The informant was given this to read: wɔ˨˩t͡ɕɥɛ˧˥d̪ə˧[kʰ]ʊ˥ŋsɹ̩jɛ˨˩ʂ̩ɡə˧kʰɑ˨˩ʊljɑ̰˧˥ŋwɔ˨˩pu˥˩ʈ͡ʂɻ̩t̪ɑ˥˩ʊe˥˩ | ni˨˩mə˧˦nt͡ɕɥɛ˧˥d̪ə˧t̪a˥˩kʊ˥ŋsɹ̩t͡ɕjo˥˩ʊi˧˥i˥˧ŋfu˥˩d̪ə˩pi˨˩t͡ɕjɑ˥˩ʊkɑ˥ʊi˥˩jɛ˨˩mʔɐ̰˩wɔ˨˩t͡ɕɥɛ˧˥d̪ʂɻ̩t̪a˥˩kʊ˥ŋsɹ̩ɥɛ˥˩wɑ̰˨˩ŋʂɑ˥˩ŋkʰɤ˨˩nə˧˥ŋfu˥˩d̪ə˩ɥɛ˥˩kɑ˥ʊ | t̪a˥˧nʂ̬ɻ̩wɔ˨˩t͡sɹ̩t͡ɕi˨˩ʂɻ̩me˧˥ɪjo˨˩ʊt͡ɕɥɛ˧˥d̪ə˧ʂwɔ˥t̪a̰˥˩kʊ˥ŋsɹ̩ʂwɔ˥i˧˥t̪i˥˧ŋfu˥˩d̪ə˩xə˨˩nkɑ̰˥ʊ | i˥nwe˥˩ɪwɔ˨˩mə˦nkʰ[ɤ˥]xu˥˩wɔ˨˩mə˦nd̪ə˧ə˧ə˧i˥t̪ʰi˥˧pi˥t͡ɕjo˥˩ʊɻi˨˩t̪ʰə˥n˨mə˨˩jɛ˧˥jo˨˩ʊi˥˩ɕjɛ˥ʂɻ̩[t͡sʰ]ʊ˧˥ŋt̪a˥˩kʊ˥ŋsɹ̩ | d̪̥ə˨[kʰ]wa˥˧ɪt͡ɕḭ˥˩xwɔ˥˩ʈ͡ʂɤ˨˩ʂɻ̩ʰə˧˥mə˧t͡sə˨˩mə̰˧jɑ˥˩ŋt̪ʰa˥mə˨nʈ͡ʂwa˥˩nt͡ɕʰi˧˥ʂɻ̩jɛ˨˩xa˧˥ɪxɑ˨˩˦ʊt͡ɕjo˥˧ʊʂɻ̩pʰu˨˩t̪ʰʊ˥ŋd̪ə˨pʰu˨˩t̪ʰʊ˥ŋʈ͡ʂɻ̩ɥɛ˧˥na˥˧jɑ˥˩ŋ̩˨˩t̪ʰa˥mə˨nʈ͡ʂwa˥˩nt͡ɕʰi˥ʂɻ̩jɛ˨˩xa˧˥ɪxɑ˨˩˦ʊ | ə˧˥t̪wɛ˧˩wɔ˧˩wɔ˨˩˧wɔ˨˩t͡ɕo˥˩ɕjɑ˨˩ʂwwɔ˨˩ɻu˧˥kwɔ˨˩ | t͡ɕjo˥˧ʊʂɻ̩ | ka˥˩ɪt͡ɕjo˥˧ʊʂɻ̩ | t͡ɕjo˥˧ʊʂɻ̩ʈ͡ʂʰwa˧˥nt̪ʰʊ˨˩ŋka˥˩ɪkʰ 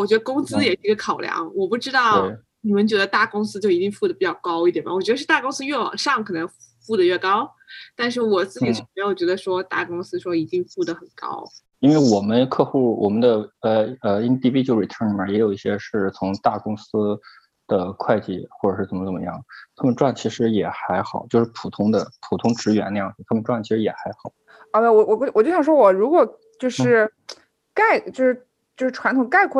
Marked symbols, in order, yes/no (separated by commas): no, no, yes, yes